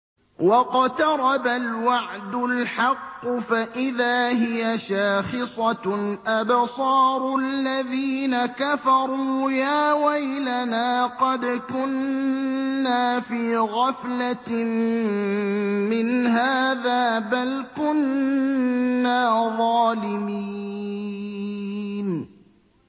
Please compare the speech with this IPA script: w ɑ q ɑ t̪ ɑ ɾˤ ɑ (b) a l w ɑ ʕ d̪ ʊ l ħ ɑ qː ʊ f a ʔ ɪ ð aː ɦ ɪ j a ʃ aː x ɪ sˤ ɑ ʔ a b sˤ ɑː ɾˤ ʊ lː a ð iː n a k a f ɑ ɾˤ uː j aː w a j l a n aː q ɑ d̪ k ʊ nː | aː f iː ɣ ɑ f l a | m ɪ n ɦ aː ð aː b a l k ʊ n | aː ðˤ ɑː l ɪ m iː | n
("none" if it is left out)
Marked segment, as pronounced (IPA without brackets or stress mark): b